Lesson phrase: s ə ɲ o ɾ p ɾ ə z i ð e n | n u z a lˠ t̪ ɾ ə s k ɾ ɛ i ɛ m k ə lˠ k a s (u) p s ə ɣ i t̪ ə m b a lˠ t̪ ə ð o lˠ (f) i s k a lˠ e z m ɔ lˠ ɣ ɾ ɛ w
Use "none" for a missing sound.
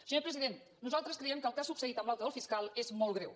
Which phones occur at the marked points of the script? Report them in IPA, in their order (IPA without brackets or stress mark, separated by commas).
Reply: u, f